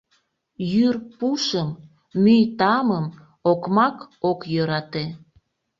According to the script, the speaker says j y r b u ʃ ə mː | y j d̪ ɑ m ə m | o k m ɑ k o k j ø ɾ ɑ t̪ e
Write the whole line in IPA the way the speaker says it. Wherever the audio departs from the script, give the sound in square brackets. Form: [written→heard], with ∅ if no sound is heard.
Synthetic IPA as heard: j y r [b→p] u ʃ ə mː | y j [d̪→t̪] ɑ m ə m | o k m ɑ k o k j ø ɾ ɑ t̪ e